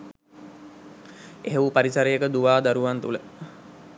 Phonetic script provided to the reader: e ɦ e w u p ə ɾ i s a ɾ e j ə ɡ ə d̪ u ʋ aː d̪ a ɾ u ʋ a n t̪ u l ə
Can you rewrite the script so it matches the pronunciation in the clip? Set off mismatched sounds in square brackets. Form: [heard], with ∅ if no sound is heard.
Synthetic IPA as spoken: e ɦ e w u p [a] ɾ i s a ɾ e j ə [k] ə d̪ u ʋ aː d̪ a ɾ u ʋ a n t̪ u l ə